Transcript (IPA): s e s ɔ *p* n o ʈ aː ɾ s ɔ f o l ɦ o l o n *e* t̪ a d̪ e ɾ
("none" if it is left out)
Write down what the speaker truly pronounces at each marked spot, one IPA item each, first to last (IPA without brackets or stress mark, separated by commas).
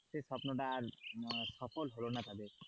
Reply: p, a